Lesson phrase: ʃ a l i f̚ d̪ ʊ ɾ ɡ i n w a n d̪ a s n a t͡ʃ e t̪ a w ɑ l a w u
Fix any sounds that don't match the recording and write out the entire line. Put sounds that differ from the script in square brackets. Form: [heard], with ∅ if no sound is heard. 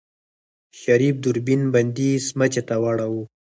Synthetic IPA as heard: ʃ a [ɾ] i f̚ d̪ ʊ ɾ [b] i n [b] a n d̪ [i] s [m] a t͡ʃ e t̪ a w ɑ [ɽ] a w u